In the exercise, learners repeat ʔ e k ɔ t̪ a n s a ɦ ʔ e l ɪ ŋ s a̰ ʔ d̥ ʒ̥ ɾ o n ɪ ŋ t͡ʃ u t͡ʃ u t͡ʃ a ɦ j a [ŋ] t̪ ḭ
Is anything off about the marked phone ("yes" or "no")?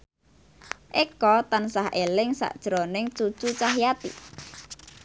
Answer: yes